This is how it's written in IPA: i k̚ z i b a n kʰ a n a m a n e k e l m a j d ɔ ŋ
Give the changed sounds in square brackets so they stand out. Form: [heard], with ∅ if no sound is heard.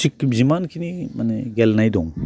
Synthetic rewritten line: i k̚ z i [m] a n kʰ [i] n [i] m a n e [ɡ] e l [n] a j d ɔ ŋ

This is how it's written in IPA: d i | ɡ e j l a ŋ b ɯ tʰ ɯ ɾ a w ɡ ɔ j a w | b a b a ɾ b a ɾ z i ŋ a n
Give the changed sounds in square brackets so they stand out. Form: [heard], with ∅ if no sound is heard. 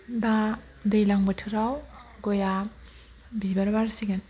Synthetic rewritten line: d [a] | [d] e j l a ŋ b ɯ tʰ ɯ ɾ a w ɡ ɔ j a [∅] | b [i] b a ɾ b a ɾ [s] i [ɡ] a n

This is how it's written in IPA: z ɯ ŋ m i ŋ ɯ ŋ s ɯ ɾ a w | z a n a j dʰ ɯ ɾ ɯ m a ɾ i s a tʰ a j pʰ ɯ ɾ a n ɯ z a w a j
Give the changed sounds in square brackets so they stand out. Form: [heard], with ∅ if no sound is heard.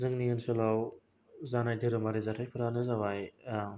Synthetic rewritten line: z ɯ ŋ [n] i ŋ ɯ [n] s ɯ [l] a w | z a n a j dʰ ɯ ɾ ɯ m a ɾ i [z] a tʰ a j pʰ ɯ ɾ a n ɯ z a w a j

